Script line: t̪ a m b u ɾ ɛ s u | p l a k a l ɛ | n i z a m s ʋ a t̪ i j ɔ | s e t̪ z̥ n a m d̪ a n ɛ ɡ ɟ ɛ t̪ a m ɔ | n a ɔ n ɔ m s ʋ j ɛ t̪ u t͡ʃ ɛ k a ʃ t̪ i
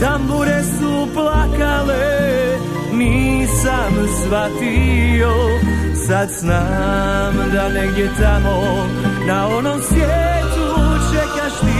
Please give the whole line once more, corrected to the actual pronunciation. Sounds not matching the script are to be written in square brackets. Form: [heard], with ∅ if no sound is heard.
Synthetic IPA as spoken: t̪ a m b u ɾ ɛ s u | p l a k a l ɛ | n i [s] a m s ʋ a t̪ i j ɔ | s [a] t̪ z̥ n a m d̪ a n ɛ ɡ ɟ ɛ t̪ a m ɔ | n a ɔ n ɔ m s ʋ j ɛ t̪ u t͡ʃ ɛ k a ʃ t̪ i